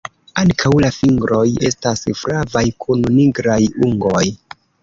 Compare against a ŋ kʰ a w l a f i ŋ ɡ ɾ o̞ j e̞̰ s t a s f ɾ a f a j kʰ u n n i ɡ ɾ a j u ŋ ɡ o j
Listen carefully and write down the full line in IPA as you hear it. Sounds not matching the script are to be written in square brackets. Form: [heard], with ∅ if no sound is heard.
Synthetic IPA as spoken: a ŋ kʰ a w l a f i ŋ ɡ ɾ o̞ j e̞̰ s t a s f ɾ a [v] a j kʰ u n n i ɡ ɾ a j u ŋ ɡ o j